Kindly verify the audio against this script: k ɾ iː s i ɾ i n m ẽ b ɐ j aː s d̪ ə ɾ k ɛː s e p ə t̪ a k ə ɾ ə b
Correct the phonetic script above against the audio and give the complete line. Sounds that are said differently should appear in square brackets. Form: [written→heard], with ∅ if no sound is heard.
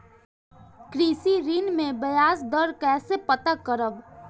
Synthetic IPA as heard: k ɾ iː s i ɾ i n m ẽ b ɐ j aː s d̪ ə ɾ k ɛː s e p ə t̪ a k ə ɾ ə b